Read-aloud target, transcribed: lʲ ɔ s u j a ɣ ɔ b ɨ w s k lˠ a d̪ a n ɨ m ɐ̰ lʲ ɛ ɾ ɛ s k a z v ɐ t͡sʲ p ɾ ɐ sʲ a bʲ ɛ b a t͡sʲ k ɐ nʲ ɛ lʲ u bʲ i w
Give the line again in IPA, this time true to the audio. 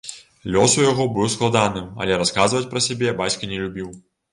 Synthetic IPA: lʲ ɔ s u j a ɣ ɔ b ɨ w s k lˠ a d̪ a n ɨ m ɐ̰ lʲ ɛ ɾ a s k a z v ɐ t͡sʲ p ɾ ɐ sʲ a bʲ ɛ b a t͡sʲ k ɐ nʲ ɛ lʲ u bʲ i w